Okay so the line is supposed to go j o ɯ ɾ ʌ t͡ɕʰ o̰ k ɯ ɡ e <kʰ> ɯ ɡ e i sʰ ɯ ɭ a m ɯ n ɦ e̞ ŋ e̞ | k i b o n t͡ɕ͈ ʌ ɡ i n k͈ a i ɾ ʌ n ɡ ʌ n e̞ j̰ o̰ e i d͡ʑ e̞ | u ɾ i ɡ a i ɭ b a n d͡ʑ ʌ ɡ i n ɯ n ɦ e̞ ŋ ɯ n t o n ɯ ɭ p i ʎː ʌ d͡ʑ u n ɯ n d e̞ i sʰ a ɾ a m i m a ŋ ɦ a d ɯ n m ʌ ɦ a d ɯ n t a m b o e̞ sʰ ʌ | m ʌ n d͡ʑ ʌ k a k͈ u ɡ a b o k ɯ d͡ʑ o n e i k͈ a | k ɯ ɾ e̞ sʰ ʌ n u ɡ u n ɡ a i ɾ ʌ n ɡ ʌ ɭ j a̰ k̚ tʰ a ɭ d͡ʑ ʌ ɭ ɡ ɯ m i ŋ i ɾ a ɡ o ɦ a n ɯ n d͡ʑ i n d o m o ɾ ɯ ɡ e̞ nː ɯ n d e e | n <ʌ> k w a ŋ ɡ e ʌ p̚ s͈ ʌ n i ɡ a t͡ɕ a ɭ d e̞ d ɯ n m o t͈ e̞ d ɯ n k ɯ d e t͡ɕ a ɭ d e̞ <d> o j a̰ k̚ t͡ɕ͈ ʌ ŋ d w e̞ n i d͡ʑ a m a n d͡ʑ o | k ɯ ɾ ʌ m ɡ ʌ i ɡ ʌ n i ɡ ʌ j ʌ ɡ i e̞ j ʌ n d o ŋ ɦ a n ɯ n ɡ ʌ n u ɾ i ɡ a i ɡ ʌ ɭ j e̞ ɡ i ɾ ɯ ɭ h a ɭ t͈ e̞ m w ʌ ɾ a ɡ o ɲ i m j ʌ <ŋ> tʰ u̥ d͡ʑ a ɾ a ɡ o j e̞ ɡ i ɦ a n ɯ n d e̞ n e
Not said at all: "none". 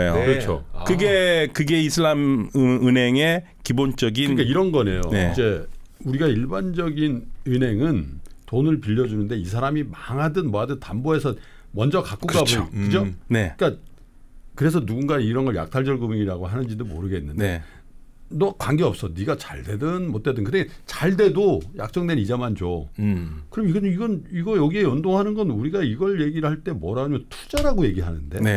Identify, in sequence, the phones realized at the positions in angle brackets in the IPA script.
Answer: k, ʌ, d, n

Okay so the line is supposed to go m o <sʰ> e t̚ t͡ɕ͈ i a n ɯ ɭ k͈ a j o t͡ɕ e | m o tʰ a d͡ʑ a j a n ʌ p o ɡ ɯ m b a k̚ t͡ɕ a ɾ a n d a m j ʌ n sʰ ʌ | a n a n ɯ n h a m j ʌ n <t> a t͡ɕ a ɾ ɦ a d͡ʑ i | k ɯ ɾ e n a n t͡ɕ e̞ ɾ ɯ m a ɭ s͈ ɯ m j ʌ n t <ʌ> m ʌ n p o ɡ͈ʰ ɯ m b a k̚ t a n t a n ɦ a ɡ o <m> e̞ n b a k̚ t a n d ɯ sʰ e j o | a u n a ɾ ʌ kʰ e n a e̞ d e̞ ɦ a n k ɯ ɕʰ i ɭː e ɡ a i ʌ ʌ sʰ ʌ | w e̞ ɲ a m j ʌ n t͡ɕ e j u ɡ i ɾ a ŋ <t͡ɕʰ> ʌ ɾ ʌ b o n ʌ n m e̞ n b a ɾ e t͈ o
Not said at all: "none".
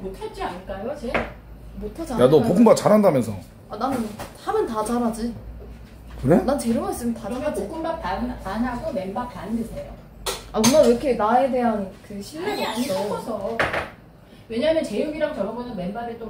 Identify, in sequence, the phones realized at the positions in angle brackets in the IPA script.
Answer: tʰ, t, a, m, t͡ɕ

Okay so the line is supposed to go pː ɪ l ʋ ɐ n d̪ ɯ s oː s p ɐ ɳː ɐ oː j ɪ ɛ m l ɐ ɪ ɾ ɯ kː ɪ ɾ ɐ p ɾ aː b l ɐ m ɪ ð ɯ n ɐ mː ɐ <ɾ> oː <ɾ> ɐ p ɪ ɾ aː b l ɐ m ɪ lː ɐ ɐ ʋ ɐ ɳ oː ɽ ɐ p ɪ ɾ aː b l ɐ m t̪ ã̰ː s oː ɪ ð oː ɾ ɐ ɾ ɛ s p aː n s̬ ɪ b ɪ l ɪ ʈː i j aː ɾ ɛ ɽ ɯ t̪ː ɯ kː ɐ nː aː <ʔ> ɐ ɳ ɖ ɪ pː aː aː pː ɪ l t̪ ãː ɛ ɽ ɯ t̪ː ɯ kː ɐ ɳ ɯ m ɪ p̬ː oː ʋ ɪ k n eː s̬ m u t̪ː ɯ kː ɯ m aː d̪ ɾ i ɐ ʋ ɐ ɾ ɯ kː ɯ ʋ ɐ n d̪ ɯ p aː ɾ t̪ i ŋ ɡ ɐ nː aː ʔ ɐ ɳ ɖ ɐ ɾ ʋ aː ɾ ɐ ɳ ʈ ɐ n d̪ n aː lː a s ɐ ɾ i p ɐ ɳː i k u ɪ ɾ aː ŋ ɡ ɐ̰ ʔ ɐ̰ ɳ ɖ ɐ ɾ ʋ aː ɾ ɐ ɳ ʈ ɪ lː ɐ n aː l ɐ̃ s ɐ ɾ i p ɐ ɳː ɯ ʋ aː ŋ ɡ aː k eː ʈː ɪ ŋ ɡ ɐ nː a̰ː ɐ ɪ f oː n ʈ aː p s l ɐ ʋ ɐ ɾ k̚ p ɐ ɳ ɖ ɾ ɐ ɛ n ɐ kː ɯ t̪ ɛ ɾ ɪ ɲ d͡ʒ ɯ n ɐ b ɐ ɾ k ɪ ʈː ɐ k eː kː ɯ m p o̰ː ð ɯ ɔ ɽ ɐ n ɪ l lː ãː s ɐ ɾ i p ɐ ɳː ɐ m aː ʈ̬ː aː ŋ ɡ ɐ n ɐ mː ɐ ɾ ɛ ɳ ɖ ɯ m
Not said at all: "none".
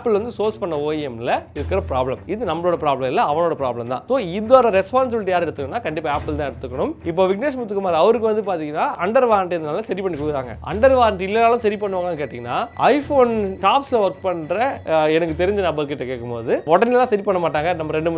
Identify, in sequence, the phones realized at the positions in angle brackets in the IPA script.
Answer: ɭ, ɽ, k

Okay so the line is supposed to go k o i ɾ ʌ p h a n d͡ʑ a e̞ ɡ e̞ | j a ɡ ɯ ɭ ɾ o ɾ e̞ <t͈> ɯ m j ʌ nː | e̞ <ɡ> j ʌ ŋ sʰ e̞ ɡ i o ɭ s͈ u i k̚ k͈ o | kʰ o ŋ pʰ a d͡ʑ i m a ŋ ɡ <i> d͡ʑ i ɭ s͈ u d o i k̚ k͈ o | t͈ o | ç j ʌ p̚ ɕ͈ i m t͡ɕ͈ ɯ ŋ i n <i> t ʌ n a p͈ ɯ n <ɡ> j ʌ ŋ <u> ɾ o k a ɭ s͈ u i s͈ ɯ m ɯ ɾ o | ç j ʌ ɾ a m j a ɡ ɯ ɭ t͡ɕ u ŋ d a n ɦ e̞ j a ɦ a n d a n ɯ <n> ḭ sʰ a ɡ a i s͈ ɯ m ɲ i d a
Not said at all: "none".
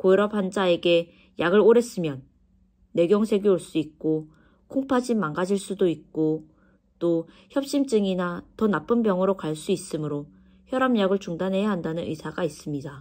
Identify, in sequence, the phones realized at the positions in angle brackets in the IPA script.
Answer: s͈, ɡ, a, a, b, ɯ, n

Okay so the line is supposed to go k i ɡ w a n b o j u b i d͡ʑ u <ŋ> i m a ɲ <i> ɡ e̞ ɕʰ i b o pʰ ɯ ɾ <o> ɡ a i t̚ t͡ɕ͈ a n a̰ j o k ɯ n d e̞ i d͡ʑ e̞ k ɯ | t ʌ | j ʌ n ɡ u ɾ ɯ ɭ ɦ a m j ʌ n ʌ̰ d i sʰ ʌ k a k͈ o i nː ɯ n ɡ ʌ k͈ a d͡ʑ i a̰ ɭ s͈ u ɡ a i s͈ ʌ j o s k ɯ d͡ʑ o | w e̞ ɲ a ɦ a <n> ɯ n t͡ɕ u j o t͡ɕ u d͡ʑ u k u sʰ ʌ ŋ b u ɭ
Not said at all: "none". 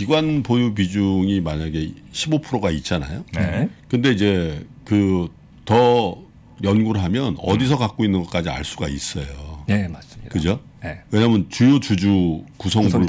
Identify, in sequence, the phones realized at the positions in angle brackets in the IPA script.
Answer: ŋ, a, o, m

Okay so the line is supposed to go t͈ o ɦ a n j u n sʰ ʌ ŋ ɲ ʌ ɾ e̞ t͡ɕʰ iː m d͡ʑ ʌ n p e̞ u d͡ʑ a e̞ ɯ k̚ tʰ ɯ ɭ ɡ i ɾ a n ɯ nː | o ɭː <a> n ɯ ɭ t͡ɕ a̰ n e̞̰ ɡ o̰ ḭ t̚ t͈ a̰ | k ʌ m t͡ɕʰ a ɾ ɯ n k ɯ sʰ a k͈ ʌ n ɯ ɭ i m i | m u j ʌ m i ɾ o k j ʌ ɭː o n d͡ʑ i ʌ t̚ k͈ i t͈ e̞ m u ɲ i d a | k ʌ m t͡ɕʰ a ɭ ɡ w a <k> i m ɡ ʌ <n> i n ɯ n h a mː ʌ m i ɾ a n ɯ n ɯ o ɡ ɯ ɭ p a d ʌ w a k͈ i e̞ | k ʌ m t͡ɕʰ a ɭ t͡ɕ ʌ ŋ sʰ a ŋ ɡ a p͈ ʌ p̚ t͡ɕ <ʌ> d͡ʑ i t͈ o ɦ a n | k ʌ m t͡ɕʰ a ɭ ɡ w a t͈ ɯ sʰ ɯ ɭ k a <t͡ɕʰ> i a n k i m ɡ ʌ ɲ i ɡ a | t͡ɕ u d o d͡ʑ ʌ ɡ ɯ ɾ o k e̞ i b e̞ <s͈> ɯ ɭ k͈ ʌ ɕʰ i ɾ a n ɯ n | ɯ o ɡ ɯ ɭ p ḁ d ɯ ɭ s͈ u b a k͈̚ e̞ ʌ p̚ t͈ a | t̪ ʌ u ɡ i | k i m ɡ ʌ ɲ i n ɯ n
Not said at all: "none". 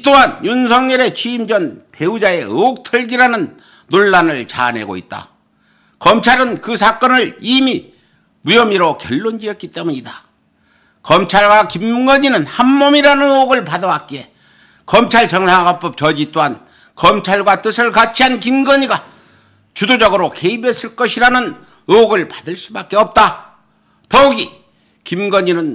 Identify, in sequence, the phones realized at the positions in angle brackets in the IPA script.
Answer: a, k, ɲ, ʌ, t͡ɕʰ, s͈

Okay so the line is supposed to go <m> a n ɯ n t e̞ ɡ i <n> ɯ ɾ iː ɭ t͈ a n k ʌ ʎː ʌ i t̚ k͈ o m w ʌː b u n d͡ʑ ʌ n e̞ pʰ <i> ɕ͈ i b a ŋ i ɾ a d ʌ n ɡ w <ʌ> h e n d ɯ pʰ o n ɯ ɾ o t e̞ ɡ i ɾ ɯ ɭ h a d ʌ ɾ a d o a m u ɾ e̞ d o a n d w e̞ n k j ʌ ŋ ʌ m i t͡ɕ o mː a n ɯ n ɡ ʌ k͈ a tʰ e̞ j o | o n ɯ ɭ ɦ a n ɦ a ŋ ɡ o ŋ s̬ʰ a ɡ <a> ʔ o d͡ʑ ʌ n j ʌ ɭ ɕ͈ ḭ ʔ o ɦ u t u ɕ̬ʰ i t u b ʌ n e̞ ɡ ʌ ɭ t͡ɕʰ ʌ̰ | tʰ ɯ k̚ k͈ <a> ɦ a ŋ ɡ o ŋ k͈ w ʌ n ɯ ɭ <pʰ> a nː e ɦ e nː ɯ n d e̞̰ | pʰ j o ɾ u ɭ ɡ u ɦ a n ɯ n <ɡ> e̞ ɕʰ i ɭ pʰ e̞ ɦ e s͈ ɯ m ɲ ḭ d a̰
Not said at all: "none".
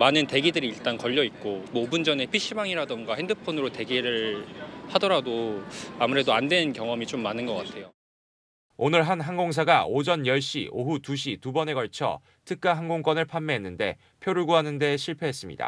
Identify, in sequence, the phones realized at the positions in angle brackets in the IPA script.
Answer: m, d, i, a, a, a, pʰ, d

